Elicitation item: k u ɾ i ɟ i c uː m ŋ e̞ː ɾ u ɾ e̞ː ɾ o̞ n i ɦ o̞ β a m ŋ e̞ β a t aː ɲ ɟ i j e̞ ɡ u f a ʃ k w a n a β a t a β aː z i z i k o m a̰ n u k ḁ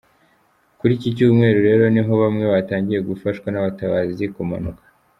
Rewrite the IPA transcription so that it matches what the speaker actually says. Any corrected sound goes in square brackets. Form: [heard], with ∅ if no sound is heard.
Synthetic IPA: k u ɾ i [c] i c uː m ŋ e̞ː ɾ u ɾ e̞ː ɾ o̞ n i ɦ o̞ β a m ŋ e̞ β a t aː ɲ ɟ i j e̞ ɡ u f a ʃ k w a n a β a t a β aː z i z i k o m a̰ n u k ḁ